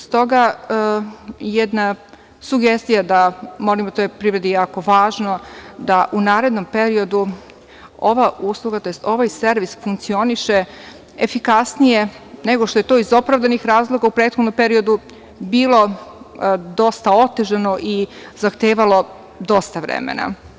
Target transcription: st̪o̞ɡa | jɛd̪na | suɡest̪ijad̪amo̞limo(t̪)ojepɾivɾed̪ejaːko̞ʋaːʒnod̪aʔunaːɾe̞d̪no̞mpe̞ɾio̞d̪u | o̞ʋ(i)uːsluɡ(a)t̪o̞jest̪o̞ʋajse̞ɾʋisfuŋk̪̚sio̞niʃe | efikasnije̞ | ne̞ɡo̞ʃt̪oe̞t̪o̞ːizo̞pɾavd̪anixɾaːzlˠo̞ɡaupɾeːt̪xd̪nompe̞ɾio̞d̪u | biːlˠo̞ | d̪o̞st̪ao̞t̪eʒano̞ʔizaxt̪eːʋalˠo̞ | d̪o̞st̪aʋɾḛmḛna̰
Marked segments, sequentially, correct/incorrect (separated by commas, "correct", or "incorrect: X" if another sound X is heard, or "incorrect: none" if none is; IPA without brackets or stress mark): correct, incorrect: a, correct